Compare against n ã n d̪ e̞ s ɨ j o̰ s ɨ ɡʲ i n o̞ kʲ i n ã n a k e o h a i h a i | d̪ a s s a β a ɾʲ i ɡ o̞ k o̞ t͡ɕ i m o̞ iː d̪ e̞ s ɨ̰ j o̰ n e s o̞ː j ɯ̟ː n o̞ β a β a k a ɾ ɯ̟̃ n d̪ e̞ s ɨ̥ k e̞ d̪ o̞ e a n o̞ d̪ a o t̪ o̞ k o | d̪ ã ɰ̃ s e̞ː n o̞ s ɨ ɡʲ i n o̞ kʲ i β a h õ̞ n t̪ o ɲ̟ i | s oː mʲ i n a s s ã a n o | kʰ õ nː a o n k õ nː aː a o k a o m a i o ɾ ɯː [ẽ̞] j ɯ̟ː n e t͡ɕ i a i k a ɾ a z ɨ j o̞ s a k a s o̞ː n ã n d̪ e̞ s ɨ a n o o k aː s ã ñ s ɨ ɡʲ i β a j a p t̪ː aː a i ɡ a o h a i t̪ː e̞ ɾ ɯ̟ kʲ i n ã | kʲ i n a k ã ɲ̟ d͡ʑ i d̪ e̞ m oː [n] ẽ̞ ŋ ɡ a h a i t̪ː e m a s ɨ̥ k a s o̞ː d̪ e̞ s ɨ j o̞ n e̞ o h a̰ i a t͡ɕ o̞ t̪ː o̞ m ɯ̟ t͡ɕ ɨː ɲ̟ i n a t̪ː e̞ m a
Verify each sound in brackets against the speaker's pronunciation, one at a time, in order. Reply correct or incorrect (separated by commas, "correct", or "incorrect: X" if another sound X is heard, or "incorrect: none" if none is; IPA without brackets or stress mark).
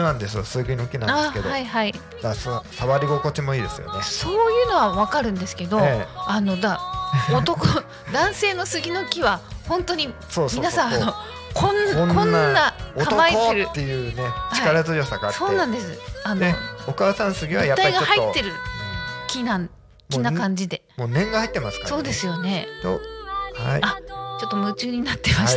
incorrect: e̞, correct